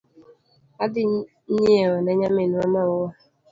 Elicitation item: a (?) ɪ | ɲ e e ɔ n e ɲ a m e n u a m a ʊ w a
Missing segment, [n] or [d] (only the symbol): d